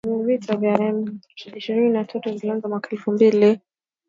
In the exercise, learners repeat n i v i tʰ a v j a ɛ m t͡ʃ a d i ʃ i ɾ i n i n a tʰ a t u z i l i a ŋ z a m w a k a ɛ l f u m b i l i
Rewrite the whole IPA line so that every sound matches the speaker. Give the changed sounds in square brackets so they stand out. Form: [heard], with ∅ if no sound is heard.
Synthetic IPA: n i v i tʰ a v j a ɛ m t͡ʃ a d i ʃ i ɾ i n i n a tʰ a t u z i l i a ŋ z a m w a k a ɛ l f u m b i l i